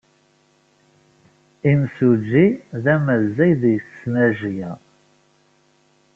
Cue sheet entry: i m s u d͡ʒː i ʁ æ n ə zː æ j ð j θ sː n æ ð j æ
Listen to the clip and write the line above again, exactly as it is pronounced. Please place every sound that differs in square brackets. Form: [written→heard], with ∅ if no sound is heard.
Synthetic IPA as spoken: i m s u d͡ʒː i [ʁ→ð] æ [n→m] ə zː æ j ð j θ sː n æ [ð→ʒ] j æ